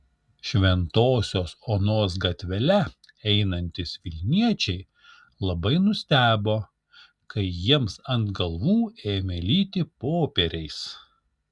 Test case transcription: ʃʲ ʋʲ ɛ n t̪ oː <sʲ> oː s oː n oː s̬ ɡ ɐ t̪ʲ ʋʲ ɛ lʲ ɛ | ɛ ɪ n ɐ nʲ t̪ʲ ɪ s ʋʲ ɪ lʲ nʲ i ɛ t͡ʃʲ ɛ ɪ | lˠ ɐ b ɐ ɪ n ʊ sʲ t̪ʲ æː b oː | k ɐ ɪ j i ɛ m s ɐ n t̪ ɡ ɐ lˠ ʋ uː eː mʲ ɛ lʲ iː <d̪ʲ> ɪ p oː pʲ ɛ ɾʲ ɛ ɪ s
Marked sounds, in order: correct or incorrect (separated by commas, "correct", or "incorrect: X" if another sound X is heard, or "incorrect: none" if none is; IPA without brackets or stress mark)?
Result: correct, incorrect: t̪ʲ